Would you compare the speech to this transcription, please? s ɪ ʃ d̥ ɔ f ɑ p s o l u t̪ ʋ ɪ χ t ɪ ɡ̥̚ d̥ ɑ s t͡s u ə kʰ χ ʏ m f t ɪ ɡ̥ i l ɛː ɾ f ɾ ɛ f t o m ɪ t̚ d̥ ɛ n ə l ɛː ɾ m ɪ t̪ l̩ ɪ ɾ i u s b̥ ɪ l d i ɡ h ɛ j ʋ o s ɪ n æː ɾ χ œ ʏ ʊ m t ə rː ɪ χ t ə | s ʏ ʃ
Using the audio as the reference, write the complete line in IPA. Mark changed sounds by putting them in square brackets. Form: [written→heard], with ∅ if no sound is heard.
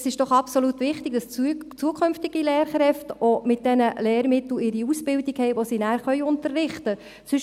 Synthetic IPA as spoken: s ɪ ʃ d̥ ɔ [f→χ] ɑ p s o l u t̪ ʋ ɪ χ t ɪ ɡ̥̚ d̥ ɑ s t͡s u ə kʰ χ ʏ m f t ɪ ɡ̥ i l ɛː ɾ [f→χ] ɾ ɛ f t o m ɪ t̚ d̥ ɛ n ə l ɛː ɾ m ɪ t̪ l̩ ɪ ɾ i u s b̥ ɪ l d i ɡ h ɛ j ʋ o s [ɪ→i] n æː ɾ χ œ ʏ ʊ [m→n] t ə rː ɪ χ t ə | s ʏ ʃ